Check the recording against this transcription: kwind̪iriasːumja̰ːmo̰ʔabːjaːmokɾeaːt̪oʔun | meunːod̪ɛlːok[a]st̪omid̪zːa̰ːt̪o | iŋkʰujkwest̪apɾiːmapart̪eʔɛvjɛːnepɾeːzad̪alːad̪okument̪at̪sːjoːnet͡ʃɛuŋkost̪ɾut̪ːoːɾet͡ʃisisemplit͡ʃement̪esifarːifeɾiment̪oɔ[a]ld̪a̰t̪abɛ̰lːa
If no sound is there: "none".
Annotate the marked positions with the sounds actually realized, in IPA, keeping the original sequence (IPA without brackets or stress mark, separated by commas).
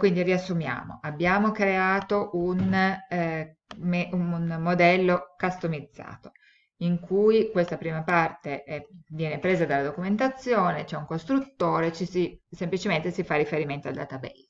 a, a